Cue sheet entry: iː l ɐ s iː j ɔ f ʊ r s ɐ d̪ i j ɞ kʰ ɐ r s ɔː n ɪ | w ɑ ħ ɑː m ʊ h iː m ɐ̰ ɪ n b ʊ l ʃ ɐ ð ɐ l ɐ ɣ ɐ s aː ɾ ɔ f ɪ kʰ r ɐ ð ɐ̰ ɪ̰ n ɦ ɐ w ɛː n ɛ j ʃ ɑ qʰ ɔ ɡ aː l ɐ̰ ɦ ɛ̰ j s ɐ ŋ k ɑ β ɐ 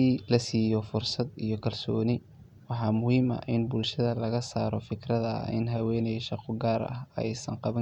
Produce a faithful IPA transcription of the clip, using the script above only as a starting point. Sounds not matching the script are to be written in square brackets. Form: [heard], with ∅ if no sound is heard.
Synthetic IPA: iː l ɐ s iː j ɔ f ʊ r s ɐ d̪ i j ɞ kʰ ɐ [l] s ɔː n ɪ | w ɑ ħ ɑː m ʊ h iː m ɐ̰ ɪ n b ʊ l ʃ ɐ ð ɐ l ɐ ɣ ɐ s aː ɾ ɔ f ɪ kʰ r ɐ ð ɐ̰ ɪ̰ n ɦ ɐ w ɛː n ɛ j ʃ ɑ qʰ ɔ ɡ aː [ɾ] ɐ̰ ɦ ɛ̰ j s ɐ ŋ [q] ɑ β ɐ